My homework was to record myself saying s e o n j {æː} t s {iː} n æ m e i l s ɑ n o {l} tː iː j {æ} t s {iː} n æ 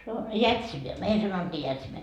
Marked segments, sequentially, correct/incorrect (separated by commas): incorrect, incorrect, incorrect, correct, incorrect